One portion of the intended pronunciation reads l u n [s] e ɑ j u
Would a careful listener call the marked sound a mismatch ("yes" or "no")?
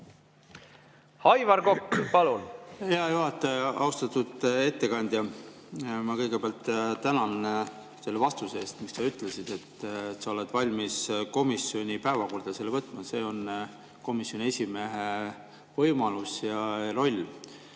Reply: yes